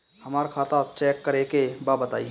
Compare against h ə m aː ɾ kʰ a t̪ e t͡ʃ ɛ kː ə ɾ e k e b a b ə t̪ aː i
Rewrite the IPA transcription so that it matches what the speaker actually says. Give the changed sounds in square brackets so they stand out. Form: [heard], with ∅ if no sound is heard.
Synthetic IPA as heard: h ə m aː ɾ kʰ a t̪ [a] t͡ʃ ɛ kː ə ɾ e k e b a b ə t̪ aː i